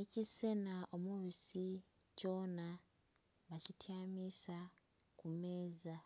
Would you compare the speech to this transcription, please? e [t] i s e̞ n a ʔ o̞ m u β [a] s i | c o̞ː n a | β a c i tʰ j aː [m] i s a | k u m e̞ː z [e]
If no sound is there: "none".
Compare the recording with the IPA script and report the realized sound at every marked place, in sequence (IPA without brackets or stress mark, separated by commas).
c, i, m, a